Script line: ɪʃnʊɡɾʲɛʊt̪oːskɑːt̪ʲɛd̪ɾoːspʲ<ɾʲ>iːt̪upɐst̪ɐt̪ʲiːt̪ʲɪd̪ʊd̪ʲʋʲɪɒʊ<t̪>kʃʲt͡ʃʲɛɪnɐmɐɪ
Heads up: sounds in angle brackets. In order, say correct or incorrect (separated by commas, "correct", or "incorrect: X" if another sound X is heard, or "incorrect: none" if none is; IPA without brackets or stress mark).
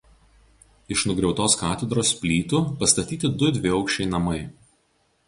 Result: incorrect: lʲ, incorrect: none